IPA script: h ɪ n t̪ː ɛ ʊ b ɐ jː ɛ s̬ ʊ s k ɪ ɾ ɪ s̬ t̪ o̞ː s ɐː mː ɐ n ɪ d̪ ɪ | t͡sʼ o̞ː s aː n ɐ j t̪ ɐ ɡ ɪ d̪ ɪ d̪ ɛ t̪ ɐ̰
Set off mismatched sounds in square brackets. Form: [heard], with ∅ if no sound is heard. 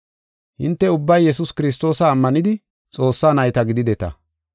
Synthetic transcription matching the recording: h ɪ n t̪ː ɛ ʊ [bː] ɐ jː ɛ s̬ ʊ s k ɪ ɾ ɪ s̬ t̪ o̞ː s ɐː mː ɐ n ɪ d̪ ɪ | t͡sʼ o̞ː [sː] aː n ɐ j t̪ ɐ ɡ ɪ d̪ ɪ d̪ ɛ t̪ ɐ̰